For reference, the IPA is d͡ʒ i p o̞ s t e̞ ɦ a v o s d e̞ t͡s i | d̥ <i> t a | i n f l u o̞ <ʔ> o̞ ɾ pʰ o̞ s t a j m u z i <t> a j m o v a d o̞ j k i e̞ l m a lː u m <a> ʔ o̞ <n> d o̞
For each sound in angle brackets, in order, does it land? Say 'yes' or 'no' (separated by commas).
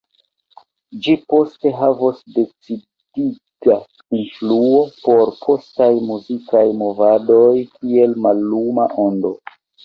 yes, no, no, yes, yes